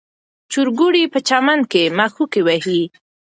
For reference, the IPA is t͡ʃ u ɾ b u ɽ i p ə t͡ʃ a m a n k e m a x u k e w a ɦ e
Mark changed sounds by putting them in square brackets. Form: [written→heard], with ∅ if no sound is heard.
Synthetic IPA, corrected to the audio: t͡ʃ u ɾ [b→ɡ] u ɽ i p ə t͡ʃ a m a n k e m a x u k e w a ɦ [e→i]